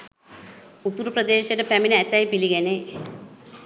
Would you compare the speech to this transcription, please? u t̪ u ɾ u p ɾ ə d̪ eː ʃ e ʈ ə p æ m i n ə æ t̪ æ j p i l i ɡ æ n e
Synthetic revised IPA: u t̪ u ɾ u p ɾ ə d̪ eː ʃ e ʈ ə p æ m i n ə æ t̪ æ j p i l i ɡ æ n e